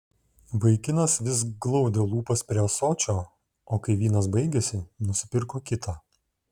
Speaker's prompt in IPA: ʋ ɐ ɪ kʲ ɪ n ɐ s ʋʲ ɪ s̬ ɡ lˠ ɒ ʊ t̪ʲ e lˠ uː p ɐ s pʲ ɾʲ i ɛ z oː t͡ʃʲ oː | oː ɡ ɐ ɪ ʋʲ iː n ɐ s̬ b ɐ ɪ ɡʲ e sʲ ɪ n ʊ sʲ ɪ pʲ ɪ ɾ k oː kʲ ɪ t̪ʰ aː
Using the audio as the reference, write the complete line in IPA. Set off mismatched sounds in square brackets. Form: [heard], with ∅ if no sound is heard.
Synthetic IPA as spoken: ʋ ɐ ɪ kʲ ɪ n ɐ s ʋʲ ɪ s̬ ɡ lˠ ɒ ʊ [d̪ʲ] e lˠ uː p ɐ s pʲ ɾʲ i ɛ [s] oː t͡ʃʲ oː | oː [k] ɐ ɪ ʋʲ iː n ɐ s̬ b ɐ ɪ ɡʲ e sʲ ɪ n ʊ sʲ ɪ pʲ ɪ ɾ k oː kʲ ɪ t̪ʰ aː